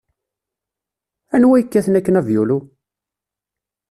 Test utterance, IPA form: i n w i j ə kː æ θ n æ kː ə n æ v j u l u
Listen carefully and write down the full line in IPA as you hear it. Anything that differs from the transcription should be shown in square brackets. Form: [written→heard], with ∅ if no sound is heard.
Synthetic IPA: [i→æ] n w [i→æ] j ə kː æ θ n æ kː ə n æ v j u l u